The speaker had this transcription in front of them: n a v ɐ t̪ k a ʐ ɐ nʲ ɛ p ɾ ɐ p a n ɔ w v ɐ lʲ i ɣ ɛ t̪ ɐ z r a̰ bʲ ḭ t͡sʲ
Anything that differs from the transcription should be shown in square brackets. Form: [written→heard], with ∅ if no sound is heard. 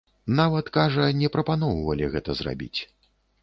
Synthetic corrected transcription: n a v ɐ t̪ k a ʐ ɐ nʲ ɛ p ɾ ɐ p a n ɔ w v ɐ lʲ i ɣ ɛ t̪ ɐ z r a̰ bʲ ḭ t͡sʲ